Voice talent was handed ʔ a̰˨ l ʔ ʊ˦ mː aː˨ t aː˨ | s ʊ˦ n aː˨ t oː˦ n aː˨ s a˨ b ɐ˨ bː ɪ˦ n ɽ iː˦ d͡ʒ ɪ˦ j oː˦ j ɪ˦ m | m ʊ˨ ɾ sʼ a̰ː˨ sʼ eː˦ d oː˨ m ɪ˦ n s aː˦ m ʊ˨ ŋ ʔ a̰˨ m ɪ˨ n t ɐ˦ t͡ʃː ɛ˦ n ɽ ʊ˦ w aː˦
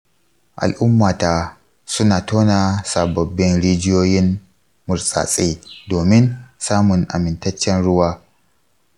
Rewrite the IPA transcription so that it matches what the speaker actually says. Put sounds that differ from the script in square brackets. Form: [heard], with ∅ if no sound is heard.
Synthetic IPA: ʔ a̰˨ l ʔ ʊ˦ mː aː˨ t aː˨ | s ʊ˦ n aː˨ t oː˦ n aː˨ s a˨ b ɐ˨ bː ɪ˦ n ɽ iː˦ d͡ʒ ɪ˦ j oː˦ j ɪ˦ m | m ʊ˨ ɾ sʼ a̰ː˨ sʼ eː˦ d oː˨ m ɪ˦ n s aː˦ m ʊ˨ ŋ ʔ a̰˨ m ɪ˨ n t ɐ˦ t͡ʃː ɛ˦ n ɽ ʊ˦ w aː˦